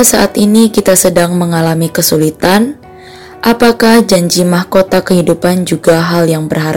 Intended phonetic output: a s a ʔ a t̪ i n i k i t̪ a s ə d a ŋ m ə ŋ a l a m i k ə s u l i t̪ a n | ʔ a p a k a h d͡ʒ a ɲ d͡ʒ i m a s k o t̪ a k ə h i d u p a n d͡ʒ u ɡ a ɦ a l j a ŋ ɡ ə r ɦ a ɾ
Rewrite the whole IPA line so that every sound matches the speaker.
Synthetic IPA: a s a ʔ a t̪ i n i k i t̪ a s ə d a ŋ m ə ŋ a l a m i k ə s u l i t̪ a n | ʔ a p a k a h d͡ʒ a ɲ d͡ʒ i m a h k o t̪ a k ə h i d u p a n d͡ʒ u ɡ a ɦ a l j a ŋ b ə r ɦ a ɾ